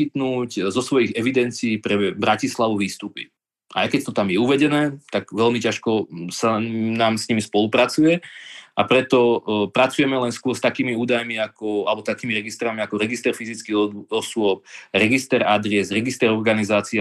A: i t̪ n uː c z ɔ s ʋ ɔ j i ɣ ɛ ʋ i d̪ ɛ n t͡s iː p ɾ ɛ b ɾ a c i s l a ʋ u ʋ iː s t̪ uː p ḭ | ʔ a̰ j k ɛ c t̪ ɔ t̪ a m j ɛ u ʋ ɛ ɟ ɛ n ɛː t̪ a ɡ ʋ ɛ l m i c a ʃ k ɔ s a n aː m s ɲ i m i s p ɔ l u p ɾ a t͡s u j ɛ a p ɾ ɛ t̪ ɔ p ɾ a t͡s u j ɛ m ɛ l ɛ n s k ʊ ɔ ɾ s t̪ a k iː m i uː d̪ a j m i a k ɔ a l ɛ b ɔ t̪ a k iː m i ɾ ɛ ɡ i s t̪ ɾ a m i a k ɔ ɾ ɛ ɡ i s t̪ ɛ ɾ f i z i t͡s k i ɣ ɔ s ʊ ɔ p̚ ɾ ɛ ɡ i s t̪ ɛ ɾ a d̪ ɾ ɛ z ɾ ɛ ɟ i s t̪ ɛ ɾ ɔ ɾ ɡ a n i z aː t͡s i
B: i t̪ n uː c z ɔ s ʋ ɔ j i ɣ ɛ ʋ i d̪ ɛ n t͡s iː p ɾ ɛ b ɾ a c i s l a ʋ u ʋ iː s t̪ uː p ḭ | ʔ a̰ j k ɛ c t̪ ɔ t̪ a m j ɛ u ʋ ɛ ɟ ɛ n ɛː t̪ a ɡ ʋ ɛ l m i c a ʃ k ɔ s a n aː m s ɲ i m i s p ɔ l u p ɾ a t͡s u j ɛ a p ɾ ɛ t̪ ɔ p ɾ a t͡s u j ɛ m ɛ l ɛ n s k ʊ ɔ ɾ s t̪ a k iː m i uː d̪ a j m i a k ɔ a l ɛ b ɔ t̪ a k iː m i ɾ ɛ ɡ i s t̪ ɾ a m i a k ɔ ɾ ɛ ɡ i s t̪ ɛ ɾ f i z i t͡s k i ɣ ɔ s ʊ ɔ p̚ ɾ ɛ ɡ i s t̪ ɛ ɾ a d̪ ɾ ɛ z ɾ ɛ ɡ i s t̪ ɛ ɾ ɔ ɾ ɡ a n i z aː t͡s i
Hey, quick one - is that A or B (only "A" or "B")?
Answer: B